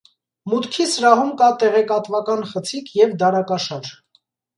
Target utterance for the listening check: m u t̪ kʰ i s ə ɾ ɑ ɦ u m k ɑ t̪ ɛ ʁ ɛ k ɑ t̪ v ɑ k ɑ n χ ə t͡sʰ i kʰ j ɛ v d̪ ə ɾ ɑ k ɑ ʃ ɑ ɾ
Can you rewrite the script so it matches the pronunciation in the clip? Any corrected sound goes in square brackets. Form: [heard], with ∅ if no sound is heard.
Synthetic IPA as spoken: m u t̪ kʰ i s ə ɾ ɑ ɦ u m k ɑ t̪ ɛ ʁ ɛ k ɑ t̪ v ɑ k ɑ n χ ə t͡sʰ i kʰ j ɛ v d̪ [ɑ] ɾ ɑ k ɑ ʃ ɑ ɾ